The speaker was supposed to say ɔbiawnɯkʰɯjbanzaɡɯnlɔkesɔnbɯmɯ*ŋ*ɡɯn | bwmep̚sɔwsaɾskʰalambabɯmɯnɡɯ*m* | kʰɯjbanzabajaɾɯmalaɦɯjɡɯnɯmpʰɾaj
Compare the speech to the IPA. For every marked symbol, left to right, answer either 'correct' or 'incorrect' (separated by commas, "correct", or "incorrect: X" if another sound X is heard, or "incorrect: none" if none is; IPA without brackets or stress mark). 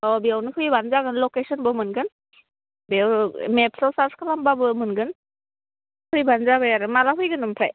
incorrect: n, incorrect: n